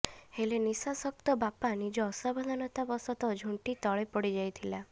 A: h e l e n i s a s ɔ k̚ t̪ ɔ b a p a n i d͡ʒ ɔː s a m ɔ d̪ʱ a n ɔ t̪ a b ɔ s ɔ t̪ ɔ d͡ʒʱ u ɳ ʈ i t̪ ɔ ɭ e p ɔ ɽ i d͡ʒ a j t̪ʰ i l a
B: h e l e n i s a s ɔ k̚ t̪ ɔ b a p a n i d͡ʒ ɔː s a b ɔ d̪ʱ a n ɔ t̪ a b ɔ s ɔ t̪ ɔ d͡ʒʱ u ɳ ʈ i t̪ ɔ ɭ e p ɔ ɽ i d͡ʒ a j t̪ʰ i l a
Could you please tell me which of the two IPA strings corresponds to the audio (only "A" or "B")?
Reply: B